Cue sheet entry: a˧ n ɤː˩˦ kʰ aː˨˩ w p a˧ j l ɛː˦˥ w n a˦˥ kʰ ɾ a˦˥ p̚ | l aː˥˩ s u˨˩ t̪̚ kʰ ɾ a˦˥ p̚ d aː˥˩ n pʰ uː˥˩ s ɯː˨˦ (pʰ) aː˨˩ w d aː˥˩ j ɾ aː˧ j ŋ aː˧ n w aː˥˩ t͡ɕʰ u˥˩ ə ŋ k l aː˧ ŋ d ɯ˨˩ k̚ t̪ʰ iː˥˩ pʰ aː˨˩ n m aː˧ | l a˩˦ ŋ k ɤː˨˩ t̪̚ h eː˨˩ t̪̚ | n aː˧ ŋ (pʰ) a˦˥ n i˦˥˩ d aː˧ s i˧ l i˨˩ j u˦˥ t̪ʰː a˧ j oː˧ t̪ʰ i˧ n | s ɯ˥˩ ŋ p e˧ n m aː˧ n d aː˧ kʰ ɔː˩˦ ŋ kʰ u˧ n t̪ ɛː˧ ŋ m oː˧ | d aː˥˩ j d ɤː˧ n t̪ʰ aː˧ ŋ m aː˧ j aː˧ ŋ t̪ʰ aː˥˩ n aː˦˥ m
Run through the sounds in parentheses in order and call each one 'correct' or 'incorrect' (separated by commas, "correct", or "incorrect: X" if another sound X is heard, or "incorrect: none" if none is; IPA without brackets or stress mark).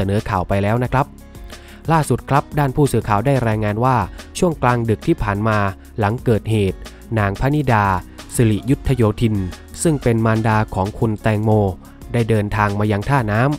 incorrect: kʰ, correct